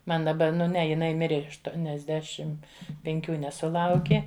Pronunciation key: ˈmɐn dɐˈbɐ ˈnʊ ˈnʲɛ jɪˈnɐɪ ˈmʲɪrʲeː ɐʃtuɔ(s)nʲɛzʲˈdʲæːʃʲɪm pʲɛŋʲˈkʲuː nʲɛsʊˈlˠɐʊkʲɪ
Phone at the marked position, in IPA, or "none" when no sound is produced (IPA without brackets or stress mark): none